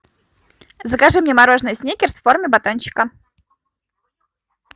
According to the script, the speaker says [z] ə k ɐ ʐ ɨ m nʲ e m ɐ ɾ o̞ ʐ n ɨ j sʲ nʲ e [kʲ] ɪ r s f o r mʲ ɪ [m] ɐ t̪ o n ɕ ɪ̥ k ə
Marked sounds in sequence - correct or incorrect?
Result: correct, correct, incorrect: b

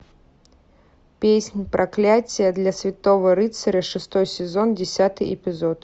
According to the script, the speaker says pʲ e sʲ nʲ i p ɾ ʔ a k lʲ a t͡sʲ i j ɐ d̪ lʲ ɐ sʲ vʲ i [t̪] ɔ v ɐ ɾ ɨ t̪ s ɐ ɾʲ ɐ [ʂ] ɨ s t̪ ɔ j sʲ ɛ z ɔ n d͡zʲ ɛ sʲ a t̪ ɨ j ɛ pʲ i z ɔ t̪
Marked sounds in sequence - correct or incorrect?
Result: correct, correct

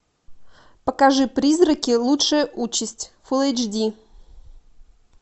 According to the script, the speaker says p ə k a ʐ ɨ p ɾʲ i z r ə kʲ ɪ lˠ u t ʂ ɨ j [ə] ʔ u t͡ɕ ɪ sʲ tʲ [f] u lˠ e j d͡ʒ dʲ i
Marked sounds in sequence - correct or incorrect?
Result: correct, correct

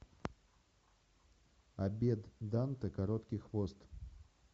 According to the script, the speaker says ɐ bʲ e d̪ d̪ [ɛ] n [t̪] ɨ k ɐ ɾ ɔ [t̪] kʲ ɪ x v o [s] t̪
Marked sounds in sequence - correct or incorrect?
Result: incorrect: a, correct, correct, correct

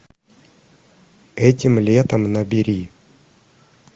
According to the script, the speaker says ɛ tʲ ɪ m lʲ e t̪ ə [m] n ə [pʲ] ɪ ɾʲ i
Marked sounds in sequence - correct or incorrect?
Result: correct, incorrect: bʲ

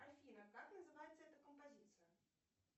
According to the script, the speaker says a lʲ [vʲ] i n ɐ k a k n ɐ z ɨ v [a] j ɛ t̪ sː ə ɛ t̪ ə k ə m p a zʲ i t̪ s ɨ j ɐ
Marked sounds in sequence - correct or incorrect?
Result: incorrect: fʲ, correct

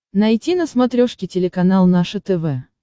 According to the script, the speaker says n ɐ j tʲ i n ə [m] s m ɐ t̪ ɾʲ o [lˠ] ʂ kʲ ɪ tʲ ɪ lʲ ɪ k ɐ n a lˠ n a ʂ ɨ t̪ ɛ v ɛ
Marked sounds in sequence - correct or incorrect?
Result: incorrect: none, incorrect: none

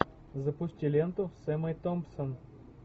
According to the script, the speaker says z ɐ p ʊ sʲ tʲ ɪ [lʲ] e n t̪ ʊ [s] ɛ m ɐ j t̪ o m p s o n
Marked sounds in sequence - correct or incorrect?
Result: correct, correct

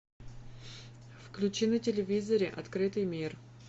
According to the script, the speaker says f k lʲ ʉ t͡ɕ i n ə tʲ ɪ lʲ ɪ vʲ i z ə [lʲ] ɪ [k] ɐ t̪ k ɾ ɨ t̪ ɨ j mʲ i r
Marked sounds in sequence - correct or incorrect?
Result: incorrect: ɾʲ, incorrect: ʔ

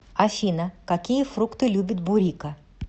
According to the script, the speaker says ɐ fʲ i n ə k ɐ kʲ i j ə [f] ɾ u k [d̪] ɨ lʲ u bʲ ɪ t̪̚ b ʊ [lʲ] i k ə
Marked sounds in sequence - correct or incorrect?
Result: correct, incorrect: t̪, incorrect: ɾʲ

